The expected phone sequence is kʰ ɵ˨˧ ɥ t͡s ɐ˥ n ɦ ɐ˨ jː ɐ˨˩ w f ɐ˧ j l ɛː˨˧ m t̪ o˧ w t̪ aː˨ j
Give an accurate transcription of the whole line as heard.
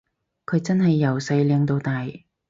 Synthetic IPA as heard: kʰ ɵ˨˧ ɥ t͡s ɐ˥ n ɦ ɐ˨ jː ɐ˨˩ w s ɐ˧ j l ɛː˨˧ ŋ t̪ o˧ w t̪ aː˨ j